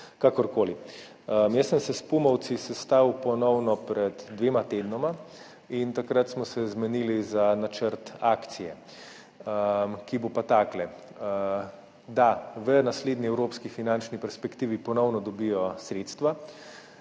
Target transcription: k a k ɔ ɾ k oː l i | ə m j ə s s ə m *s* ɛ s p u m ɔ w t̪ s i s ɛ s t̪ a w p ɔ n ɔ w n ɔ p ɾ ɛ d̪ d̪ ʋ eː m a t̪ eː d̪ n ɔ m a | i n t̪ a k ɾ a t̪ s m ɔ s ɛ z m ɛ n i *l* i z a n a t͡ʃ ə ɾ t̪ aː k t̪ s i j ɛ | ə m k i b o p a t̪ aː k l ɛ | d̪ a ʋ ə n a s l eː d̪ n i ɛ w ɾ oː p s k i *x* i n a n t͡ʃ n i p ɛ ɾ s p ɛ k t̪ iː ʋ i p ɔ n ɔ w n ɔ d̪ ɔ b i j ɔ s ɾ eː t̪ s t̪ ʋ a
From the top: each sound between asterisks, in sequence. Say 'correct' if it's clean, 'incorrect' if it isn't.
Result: correct, correct, incorrect: f

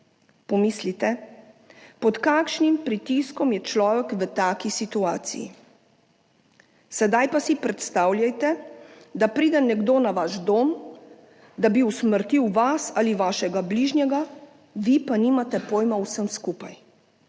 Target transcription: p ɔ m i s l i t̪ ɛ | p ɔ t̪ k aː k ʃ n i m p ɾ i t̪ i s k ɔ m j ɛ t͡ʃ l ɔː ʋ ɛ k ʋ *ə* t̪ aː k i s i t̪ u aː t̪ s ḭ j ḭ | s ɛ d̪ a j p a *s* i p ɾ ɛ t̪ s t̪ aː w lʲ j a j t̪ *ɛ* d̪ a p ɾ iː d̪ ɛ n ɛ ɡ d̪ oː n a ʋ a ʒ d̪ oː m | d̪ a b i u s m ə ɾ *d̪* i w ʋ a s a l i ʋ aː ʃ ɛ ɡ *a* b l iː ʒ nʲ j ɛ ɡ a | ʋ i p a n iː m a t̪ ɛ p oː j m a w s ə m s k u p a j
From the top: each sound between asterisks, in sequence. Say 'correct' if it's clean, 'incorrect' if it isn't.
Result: correct, correct, correct, incorrect: t̪, correct

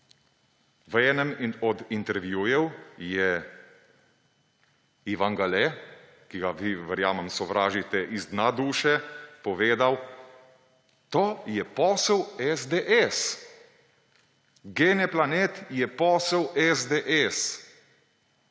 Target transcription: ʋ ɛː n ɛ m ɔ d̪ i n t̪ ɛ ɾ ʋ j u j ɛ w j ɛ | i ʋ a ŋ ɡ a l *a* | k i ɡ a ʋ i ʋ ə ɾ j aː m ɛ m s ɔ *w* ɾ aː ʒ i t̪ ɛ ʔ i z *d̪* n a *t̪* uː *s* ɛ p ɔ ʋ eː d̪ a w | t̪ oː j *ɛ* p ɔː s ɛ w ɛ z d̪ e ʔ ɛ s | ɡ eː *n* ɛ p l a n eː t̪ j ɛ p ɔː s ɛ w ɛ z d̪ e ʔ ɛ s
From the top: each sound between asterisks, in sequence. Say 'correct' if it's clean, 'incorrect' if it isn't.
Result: incorrect: ɛ, incorrect: ʋ, correct, incorrect: d̪, incorrect: ʃ, correct, correct

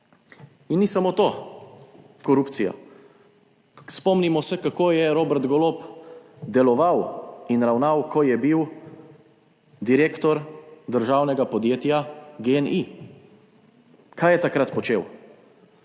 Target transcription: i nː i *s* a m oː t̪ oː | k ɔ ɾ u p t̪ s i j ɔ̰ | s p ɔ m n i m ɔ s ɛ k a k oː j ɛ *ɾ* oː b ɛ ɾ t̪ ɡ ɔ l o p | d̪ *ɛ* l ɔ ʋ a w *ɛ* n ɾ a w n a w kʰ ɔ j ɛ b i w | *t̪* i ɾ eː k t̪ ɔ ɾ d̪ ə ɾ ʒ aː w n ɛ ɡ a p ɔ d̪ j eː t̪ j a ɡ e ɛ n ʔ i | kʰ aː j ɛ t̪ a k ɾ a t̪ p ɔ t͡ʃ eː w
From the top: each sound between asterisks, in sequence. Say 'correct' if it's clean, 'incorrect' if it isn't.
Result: correct, correct, correct, incorrect: i, incorrect: d̪

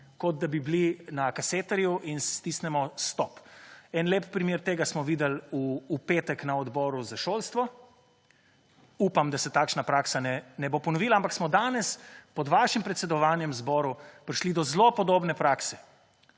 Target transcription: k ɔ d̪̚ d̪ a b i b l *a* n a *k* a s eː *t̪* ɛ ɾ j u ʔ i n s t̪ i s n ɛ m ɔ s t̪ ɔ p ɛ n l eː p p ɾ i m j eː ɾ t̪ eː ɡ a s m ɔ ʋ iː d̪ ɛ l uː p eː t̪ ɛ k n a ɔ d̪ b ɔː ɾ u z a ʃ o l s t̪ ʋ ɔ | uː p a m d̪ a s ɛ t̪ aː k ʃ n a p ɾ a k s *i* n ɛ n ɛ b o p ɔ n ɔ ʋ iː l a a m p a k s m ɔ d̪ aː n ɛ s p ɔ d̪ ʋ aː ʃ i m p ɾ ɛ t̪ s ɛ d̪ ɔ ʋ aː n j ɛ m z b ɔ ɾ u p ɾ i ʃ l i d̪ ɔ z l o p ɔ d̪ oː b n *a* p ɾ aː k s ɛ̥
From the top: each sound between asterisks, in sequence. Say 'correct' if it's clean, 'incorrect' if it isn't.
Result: incorrect: i, correct, correct, incorrect: a, incorrect: ɛ

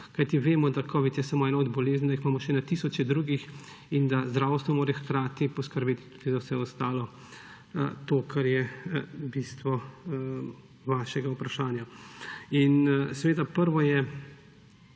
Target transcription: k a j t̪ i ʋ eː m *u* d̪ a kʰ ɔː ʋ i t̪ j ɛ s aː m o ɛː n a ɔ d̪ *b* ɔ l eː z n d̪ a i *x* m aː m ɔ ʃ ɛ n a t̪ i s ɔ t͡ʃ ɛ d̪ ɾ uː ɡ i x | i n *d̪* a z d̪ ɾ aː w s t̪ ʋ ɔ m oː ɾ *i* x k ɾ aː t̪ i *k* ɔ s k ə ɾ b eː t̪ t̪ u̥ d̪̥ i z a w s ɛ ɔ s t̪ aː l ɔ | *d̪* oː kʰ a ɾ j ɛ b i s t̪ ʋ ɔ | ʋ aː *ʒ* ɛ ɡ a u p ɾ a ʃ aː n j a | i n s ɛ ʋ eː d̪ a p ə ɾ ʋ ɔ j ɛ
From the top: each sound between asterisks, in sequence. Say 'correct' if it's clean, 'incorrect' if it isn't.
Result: incorrect: ɔ, correct, correct, correct, incorrect: ɛ, incorrect: p, incorrect: t̪, incorrect: ʃ

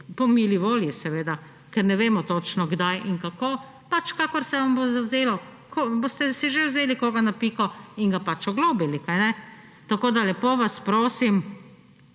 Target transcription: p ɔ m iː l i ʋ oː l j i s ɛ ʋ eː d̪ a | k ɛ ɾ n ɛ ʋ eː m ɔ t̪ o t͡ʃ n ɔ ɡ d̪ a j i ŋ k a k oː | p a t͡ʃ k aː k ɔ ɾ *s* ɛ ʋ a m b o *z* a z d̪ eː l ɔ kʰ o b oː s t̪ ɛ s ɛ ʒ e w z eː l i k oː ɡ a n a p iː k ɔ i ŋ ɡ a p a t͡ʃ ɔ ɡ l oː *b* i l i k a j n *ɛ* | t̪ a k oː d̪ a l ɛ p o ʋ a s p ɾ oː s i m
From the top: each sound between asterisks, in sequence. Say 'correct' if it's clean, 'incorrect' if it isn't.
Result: correct, correct, correct, correct

